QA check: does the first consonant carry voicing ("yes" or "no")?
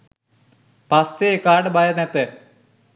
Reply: no